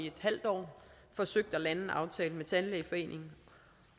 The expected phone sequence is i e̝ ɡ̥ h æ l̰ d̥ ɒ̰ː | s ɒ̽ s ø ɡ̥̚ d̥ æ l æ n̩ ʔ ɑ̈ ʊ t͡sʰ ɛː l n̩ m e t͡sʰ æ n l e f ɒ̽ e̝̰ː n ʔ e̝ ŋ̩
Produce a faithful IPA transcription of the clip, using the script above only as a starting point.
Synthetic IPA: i e̝ d̥ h æ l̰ d̥ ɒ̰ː | f ɒ̽ s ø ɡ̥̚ d̥ æ l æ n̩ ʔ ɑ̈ ʊ t͡sʰ ɛː l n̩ m e t͡sʰ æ n l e f ɒ̽ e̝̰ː n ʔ e̝ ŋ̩